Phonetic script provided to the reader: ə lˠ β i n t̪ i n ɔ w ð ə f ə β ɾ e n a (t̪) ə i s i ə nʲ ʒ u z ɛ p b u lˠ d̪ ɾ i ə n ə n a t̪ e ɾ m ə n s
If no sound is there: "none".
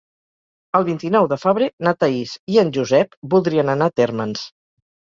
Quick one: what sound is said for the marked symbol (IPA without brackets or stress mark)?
t̪